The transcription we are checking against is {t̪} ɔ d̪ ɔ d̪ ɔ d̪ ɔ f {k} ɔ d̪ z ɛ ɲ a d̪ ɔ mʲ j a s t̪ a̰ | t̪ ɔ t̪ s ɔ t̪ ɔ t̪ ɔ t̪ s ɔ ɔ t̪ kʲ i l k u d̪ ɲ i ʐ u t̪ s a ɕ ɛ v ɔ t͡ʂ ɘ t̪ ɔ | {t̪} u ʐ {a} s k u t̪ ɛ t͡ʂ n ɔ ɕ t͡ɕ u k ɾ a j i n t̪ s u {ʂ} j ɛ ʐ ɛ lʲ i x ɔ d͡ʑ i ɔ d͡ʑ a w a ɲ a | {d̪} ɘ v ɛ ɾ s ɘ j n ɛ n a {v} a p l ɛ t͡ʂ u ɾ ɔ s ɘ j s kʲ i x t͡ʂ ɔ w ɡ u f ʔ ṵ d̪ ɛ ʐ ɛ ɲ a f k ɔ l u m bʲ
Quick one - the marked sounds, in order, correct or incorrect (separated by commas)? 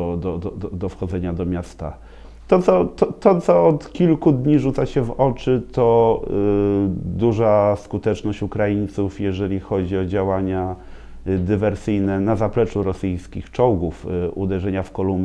incorrect, incorrect, incorrect, correct, incorrect, correct, incorrect